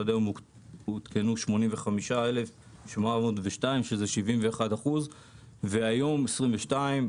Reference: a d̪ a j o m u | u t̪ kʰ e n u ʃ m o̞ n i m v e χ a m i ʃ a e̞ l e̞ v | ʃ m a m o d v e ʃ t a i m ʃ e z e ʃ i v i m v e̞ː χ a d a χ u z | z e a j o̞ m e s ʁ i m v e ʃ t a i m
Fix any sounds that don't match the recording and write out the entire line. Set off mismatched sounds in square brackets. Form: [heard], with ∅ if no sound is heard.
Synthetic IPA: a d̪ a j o m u | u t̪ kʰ e n u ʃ m o̞ n i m v e χ a m i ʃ a e̞ l e̞ [f] | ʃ m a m o d v e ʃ t a i m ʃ e z e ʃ i v i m v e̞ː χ a d a χ u z | [v] e a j o̞ m e s ʁ i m v e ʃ t a i m